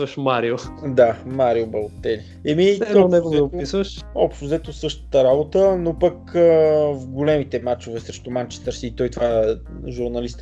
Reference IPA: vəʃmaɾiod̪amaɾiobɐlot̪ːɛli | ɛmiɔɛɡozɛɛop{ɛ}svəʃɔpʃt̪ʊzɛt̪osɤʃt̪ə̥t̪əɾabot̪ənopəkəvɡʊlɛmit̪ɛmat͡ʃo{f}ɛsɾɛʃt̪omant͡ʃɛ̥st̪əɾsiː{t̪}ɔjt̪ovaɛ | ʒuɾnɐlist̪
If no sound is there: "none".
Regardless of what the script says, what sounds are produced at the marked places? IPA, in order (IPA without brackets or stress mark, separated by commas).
i, v, t̪